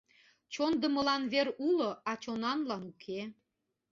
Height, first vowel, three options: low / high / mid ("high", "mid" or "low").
mid